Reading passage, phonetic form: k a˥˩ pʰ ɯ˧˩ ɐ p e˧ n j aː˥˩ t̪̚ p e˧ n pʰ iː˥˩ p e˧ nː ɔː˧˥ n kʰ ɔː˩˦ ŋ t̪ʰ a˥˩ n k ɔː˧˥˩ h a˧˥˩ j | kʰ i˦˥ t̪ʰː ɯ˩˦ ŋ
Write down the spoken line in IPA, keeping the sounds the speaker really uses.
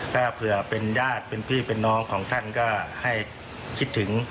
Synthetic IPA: k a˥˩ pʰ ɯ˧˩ ɐ p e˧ n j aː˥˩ t̪̚ p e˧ n pʰ iː˥˩ p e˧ nː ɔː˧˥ ŋ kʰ ɔː˩˦ ŋ t̪ʰ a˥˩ n k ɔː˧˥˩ h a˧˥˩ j | kʰ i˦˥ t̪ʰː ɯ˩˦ ŋ